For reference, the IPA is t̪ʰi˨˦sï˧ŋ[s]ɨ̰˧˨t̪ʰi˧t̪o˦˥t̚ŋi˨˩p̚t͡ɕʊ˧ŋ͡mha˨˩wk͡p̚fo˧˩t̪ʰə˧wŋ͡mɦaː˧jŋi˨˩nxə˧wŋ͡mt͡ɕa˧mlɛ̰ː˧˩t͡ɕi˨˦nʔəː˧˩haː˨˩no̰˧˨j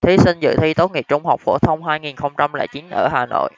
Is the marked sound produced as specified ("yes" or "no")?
no